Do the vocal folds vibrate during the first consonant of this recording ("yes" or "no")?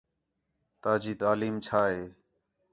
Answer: no